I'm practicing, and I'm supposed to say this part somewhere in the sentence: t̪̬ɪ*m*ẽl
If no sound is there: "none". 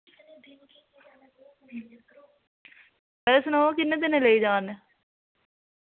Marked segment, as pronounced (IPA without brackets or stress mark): n